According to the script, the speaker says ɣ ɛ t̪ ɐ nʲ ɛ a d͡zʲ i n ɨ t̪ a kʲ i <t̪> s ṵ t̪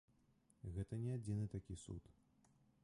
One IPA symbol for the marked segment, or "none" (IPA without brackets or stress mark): none